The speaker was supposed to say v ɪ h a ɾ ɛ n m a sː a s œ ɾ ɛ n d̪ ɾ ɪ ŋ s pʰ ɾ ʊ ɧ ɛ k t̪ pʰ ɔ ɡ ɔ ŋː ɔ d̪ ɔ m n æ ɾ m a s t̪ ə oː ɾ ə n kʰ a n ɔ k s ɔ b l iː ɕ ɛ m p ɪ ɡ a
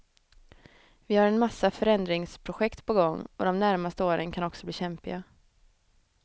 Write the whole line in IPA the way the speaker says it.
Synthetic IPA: v ɪ h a ɾ ɛ n m a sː a f œ ɾ ɛ n d̪ ɾ ɪ ŋ s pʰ ɾ ʊ ɧ ɛ k t̪ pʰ ɔ ɡ ɔ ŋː ɔ d̪ ɔ m n æ ɾ m a s t̪ ə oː ɾ ə n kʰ a n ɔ k s ɔ b l iː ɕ ɛ m p ɪ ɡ a